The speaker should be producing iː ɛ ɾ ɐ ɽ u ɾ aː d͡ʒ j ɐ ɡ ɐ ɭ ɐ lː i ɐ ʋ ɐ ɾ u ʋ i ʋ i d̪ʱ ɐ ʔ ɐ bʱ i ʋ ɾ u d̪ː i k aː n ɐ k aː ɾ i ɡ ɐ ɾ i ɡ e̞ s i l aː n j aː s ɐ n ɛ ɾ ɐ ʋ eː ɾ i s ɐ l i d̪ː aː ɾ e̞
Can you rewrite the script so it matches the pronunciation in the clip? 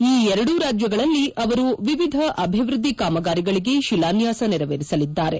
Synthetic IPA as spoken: iː ɛ ɾ ɐ ɽ u ɾ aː d͡ʒ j ɐ ɡ ɐ ɭ ɐ lː i ɐ ʋ ɐ ɾ u ʋ i ʋ i d̪ʱ ɐ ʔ ɐ bʱ i ʋ ɾ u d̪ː i k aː m ɐ ɡ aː ɾ i ɡ ɐ ɭ i ɡ e̞ ʃ i l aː n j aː s ɐ n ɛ ɾ ɐ ʋ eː ɾ i s ɐ l i d̪ː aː ɾ e̞